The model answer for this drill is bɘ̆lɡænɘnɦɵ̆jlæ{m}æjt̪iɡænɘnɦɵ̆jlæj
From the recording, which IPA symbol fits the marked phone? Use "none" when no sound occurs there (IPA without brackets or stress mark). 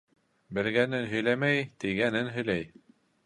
m